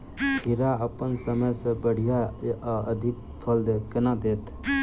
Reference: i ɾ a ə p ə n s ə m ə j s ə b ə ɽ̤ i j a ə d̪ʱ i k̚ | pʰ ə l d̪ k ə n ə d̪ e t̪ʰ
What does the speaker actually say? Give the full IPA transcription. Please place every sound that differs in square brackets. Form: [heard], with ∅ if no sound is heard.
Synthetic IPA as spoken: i ɾ a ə p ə n s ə m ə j s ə b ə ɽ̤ i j a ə d̪ʱ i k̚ | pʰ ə l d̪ k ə n [a] d̪ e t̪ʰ